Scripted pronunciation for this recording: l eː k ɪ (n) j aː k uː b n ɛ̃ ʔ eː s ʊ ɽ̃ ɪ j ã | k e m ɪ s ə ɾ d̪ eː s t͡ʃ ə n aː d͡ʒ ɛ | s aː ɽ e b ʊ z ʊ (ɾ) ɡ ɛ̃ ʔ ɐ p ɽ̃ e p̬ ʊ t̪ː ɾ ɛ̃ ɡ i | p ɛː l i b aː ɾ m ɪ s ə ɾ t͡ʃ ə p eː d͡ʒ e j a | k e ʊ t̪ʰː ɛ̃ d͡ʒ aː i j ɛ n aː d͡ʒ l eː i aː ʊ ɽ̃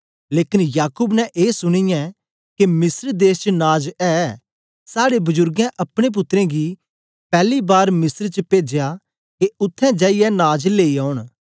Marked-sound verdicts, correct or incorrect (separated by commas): correct, correct